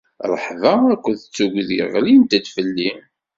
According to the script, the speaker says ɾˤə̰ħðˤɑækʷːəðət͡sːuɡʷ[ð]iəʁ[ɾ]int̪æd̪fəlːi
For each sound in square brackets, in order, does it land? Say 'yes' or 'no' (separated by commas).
yes, no